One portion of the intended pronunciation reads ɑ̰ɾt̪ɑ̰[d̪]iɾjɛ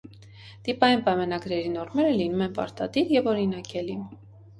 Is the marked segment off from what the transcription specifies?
no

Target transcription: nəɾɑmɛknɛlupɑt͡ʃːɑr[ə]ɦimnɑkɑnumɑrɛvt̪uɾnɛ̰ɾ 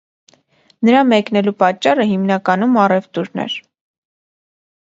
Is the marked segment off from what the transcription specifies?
no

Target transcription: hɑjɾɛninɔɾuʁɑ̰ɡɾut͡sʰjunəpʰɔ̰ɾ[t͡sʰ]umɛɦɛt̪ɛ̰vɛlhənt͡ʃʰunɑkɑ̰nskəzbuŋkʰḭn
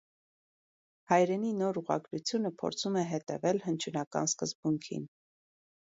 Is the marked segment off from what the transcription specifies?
no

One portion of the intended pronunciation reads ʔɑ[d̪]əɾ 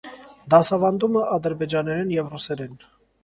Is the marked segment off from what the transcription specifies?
no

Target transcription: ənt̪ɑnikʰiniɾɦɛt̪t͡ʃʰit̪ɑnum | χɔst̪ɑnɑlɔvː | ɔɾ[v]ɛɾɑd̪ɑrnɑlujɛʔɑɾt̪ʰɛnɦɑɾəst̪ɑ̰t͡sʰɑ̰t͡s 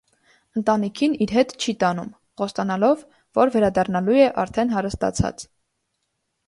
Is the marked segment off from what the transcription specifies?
no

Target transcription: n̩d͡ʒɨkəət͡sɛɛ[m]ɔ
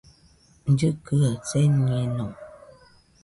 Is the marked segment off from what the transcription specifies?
yes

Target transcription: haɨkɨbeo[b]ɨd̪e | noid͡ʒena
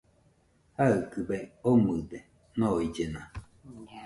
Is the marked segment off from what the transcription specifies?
yes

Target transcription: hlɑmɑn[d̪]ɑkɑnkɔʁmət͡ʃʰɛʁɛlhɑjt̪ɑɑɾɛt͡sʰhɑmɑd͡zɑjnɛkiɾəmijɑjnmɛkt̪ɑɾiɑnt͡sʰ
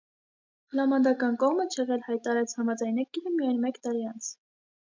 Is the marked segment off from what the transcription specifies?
no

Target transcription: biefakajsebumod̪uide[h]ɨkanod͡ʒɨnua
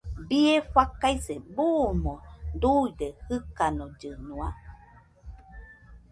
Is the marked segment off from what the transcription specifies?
no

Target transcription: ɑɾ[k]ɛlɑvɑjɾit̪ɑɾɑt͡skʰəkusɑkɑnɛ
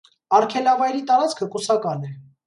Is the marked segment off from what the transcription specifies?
yes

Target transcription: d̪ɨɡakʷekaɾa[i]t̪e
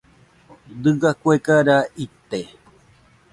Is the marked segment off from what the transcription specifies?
no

